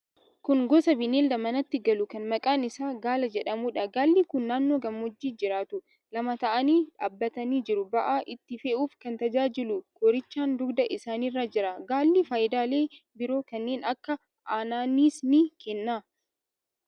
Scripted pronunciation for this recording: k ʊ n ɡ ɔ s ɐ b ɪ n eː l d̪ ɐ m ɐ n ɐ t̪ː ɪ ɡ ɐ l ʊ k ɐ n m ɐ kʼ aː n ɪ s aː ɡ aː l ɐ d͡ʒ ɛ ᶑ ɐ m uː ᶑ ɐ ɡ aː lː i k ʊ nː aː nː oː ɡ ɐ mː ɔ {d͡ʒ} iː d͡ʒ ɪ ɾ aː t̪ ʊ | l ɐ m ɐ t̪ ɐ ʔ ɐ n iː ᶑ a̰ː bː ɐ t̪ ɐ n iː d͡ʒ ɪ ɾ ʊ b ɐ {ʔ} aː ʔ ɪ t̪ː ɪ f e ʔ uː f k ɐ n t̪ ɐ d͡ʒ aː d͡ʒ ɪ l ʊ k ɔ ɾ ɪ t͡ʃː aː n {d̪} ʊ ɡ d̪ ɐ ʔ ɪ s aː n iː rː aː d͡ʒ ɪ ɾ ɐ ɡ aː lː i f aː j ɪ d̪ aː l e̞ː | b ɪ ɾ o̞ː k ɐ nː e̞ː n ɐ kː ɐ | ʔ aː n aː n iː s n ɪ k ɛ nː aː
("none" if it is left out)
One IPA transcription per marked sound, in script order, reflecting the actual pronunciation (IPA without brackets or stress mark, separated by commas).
d͡ʒː, ʔ, d̪